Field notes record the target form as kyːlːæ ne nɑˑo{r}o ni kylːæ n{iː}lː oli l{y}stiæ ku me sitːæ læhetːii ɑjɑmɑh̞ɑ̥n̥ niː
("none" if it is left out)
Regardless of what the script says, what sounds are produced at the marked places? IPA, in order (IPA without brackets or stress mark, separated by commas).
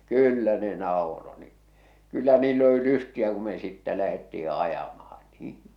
r, iː, y